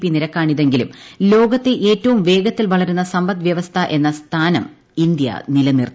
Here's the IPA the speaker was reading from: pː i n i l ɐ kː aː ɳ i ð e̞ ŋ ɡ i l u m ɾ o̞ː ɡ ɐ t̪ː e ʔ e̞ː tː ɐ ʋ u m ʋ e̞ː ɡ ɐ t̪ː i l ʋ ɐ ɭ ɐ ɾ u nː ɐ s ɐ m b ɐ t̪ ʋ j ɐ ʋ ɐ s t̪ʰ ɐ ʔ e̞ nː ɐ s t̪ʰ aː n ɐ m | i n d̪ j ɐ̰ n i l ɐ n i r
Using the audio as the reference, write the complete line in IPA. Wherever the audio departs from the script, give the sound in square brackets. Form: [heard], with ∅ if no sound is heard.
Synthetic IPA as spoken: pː i n i [ɾ] ɐ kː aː ɳ i ð e̞ ŋ ɡ i l u m [l] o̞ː ɡ ɐ t̪ː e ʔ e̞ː tː ɐ ʋ u m ʋ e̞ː ɡ ɐ t̪ː i l ʋ ɐ ɭ ɐ ɾ u nː ɐ s ɐ m b ɐ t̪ ʋ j ɐ ʋ ɐ s t̪ʰ ɐ ʔ e̞ nː ɐ s t̪ʰ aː n ɐ m | i n d̪ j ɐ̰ n i l ɐ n i r